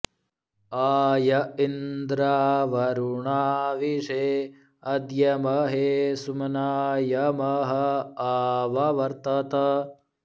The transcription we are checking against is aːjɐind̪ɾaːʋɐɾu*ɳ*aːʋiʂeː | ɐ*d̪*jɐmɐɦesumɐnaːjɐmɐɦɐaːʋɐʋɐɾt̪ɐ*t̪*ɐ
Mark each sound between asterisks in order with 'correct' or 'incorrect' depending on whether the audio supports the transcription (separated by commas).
correct, correct, correct